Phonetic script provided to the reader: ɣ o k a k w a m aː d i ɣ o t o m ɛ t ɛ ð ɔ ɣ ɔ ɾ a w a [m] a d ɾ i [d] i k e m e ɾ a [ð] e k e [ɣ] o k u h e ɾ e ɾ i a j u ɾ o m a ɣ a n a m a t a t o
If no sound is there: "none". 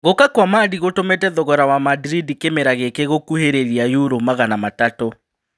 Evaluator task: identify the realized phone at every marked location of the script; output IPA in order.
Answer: m, d, ɣ, ɣ

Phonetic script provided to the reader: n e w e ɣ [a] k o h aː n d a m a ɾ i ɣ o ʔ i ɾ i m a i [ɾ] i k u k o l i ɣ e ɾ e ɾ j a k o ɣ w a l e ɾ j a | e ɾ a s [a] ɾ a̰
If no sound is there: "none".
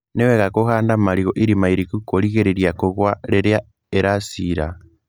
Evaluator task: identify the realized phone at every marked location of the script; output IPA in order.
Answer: a, ɾ, i

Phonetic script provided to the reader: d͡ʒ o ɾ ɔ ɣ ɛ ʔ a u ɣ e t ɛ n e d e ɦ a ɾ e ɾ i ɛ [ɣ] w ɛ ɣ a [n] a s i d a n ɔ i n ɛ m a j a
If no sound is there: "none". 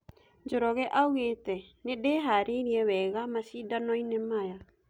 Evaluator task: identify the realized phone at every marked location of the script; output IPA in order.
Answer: none, m

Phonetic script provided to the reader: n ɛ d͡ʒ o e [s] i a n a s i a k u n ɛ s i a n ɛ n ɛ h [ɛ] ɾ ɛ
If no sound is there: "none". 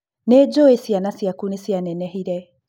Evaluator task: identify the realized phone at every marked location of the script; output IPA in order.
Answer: s, i

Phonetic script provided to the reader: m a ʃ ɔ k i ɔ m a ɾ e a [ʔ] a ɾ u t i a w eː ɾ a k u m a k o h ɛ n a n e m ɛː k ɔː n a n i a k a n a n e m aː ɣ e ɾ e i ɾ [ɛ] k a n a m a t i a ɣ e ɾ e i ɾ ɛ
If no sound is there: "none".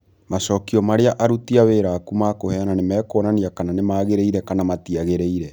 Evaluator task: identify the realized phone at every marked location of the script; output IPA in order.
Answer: ʔ, ɛ

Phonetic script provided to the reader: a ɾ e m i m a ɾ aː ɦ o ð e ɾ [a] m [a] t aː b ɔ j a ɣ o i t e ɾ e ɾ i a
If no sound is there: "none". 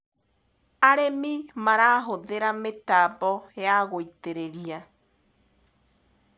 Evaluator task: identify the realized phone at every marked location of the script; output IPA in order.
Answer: a, e

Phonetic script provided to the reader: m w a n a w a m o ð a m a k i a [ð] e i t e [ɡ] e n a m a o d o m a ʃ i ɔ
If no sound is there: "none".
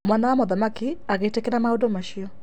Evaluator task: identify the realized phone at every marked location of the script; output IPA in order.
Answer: ɣ, k

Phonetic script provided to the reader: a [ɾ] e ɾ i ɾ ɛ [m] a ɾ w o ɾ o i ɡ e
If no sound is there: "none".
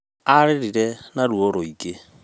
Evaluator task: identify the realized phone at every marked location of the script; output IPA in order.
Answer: ɾ, n

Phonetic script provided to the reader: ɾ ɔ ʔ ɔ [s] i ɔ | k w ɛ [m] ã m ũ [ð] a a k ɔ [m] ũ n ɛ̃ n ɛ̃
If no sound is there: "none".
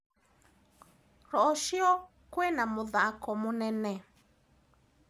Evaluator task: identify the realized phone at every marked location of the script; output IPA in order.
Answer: ʃ, n, ð, m

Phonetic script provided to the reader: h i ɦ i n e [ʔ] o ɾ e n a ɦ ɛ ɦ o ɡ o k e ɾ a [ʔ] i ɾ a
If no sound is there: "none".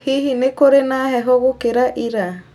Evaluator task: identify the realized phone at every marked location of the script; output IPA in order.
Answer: k, ʔ

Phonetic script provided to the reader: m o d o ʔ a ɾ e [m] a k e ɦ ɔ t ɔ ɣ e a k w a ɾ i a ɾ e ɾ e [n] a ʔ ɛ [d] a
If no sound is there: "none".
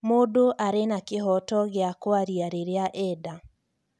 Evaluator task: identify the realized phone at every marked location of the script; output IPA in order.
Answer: n, none, d

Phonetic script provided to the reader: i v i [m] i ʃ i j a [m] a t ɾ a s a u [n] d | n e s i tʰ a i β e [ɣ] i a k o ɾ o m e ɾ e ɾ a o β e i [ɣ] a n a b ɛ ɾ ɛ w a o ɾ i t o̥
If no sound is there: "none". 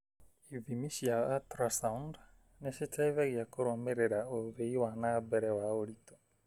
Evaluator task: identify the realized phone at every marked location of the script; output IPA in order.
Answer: m, none, n, ɣ, w

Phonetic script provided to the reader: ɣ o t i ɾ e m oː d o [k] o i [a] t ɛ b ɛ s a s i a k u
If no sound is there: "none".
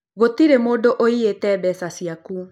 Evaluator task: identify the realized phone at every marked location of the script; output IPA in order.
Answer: ʔ, e

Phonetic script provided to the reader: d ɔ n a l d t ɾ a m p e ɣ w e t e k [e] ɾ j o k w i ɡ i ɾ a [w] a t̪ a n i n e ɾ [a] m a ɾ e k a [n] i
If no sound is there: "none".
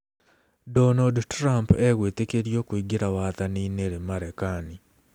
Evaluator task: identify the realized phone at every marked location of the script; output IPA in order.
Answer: e, w, e, n

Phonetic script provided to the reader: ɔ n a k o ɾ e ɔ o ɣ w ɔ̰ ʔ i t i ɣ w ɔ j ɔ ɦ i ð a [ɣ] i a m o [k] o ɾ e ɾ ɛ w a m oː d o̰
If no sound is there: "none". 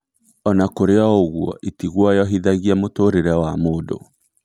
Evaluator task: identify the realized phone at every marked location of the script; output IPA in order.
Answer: ɣ, t

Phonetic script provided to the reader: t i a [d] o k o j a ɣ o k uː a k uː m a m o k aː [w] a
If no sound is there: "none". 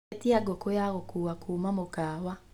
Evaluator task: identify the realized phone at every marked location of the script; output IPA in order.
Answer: ɡ, w

